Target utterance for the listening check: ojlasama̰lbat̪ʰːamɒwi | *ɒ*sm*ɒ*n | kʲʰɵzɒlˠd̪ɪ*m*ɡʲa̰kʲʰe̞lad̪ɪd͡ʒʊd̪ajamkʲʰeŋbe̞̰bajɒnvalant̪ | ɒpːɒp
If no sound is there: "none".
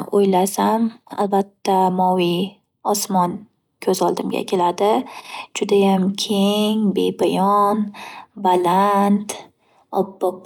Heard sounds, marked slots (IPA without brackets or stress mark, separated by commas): ɒ, ɒ, m